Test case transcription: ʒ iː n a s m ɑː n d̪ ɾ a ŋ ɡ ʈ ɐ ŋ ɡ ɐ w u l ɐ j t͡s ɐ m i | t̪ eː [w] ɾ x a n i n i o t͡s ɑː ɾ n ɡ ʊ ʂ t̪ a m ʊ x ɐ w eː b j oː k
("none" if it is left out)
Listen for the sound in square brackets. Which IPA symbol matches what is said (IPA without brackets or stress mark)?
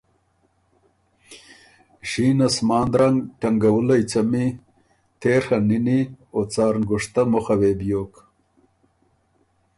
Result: none